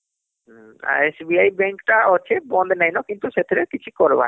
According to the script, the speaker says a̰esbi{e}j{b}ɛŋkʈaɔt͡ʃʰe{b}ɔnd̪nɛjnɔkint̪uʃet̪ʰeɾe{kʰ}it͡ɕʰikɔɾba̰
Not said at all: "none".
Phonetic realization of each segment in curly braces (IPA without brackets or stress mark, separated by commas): a, b, b, k